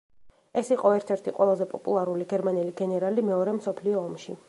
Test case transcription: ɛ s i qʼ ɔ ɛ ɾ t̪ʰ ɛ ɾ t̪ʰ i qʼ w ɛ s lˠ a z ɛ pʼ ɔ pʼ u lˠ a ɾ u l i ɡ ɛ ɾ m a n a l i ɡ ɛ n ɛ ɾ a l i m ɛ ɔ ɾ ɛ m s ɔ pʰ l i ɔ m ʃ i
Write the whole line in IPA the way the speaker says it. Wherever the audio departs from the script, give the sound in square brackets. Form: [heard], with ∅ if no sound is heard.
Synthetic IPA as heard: ɛ s i qʼ ɔ ɛ ɾ t̪ʰ ɛ ɾ t̪ʰ i qʼ w ɛ [∅] lˠ a z ɛ pʼ ɔ pʼ u lˠ a ɾ u l i ɡ ɛ ɾ m a n [ɛ] l i ɡ ɛ n ɛ ɾ a l i m ɛ ɔ ɾ ɛ m s ɔ pʰ l i [ɔː] m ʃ i